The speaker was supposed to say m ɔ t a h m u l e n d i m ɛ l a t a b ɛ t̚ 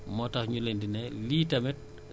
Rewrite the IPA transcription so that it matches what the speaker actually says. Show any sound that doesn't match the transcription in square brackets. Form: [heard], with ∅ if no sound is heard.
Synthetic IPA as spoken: m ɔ t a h [ɲ] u l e n d i [n] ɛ l [i] t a [m] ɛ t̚